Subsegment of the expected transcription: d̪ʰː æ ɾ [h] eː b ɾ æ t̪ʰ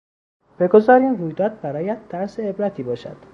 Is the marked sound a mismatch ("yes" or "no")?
yes